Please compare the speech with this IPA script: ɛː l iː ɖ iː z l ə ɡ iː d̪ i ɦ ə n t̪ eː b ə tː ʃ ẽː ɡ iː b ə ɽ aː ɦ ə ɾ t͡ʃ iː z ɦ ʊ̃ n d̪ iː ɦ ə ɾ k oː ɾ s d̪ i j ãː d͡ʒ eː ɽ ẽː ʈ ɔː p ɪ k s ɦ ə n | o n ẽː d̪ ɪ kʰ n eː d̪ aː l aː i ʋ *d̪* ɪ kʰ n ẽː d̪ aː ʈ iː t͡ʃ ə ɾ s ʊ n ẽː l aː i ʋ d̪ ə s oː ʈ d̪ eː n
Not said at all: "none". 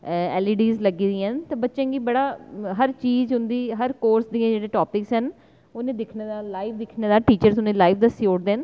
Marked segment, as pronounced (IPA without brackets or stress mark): d̪